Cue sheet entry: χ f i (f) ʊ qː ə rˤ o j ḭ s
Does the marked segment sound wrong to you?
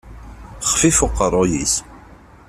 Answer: no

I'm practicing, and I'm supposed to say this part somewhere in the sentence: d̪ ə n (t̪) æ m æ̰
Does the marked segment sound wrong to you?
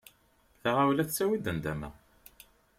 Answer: yes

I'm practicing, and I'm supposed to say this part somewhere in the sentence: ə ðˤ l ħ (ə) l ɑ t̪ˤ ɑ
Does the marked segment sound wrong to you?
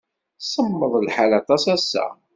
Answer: yes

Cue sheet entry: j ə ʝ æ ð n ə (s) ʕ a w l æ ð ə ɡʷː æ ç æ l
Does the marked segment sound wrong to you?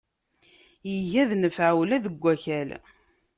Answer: yes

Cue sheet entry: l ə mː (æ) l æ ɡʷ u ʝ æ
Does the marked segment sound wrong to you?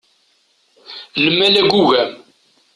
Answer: no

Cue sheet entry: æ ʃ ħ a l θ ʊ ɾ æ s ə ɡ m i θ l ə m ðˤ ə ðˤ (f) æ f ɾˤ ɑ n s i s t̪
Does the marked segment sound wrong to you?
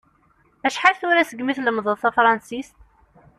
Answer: yes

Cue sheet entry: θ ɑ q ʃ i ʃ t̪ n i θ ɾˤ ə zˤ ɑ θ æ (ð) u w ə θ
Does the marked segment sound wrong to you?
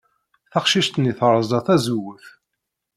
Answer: yes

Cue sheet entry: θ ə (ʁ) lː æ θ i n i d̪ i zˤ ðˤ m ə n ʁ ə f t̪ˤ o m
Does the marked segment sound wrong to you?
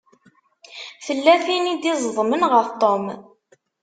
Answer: yes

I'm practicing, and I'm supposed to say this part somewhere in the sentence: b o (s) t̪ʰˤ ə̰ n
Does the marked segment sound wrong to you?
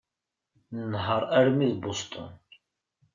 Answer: no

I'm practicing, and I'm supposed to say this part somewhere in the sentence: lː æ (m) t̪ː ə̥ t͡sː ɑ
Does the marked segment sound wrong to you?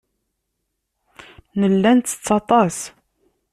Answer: yes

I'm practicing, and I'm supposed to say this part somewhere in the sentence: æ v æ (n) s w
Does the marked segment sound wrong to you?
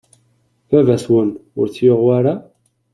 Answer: yes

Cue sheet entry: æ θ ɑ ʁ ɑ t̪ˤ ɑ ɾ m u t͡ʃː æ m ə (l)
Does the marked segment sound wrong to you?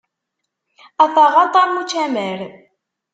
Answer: yes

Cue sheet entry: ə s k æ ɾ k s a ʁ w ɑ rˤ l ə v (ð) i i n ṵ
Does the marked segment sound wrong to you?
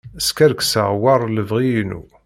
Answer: yes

